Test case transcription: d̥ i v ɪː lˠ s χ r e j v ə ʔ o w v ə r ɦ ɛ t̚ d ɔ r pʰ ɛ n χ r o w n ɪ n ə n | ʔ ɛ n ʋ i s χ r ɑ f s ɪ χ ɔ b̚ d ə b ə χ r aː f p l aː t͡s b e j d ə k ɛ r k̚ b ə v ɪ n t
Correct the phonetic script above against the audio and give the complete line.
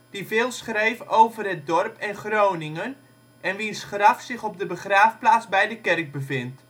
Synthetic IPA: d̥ i v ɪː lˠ s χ r e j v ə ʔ o w v ə r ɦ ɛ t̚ d ɔ r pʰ ɛ n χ r o w n ɪ ŋ ə n | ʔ ɛ n ʋ i s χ r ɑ f s ɪ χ ɔ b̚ d ə b ə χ r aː f p l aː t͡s b ɛ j d ə k ɛ r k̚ b ə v ɪ n t